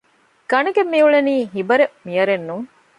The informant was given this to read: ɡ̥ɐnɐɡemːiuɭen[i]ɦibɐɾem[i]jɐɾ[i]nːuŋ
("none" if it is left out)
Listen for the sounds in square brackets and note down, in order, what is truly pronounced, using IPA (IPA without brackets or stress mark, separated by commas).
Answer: iː, i, e